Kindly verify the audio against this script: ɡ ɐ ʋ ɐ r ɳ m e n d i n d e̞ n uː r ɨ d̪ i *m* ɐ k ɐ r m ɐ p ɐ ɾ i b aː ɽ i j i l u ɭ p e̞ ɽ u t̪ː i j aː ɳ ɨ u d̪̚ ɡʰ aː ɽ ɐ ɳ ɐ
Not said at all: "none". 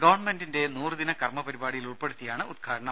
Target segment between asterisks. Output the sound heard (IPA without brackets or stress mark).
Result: n